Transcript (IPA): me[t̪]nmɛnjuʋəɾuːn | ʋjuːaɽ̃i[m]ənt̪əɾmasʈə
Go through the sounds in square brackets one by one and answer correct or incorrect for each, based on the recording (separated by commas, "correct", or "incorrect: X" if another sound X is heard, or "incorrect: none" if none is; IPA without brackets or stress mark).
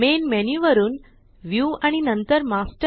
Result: incorrect: none, incorrect: n